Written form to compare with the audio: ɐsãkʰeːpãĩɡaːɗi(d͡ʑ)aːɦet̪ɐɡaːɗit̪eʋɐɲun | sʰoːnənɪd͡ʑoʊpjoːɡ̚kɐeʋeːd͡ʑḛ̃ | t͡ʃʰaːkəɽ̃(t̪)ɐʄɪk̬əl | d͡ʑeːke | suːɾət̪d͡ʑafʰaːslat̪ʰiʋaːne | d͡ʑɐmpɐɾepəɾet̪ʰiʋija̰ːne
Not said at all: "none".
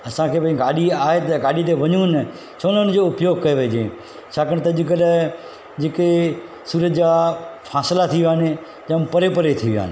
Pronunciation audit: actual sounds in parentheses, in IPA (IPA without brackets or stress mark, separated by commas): none, t̪